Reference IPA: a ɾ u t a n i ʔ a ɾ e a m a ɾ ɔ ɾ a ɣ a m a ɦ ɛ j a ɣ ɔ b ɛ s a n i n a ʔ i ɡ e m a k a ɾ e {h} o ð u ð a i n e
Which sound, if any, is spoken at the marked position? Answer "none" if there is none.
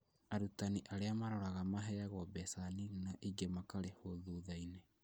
h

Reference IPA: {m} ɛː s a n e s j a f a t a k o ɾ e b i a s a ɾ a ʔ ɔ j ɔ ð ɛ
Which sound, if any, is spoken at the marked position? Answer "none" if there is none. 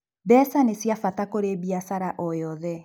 b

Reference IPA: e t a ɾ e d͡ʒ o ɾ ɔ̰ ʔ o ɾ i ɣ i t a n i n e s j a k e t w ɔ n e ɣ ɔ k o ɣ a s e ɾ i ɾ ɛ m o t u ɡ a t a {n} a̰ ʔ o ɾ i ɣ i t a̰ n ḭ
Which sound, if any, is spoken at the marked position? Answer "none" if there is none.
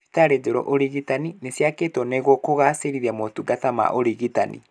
m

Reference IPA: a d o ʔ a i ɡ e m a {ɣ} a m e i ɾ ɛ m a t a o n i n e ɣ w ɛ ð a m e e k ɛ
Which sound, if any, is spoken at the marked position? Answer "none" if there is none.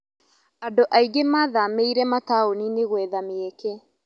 ð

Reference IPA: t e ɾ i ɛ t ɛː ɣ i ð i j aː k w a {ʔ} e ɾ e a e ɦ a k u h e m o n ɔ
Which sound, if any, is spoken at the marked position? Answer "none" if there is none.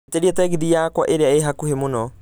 ʔ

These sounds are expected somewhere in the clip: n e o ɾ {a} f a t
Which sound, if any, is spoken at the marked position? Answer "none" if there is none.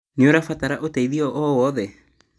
a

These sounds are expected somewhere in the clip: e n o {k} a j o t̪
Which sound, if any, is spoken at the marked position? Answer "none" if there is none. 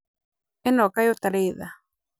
k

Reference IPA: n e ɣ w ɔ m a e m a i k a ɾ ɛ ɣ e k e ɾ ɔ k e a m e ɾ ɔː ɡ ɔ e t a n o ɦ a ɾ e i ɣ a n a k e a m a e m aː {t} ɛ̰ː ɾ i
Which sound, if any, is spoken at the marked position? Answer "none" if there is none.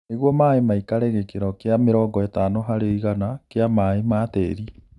t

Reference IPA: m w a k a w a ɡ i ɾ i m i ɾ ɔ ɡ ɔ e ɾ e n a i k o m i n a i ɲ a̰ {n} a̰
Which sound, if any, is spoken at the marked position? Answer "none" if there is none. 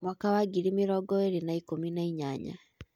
ɲ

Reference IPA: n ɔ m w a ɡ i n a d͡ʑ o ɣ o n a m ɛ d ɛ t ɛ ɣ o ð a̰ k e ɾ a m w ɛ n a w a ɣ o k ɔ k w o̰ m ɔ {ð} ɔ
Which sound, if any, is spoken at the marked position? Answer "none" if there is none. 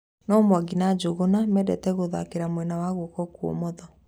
ð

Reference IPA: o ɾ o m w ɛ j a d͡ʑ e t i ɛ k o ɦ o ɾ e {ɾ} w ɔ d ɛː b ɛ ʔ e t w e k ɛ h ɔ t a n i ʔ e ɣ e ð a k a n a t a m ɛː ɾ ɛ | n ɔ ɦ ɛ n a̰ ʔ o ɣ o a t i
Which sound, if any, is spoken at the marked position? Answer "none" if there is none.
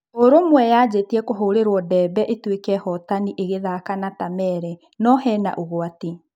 ɾ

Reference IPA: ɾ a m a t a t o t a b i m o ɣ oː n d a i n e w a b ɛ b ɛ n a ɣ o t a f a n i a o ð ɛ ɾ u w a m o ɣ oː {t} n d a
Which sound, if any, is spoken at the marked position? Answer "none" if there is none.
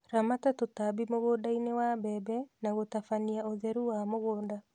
none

